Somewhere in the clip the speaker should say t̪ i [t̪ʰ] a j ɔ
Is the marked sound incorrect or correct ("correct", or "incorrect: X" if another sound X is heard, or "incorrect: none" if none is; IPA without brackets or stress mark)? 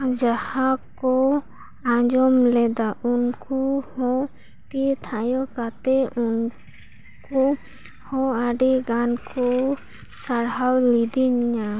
correct